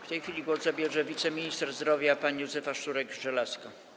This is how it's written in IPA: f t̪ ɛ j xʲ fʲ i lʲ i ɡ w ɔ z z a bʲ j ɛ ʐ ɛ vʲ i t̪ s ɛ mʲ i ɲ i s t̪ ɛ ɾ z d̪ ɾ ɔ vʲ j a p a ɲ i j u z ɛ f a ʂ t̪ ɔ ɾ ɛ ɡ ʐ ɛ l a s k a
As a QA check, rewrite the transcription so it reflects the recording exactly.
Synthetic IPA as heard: f t̪ ɛ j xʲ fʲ i lʲ i ɡ w ɔ z z a bʲ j ɛ ʐ ɛ vʲ i t̪ s ɛ mʲ i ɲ i s t̪ ɛ ɾ z d̪ ɾ ɔ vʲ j a p a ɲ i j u z ɛ f a ʂ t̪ u ɾ ɛ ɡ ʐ ɛ l a s k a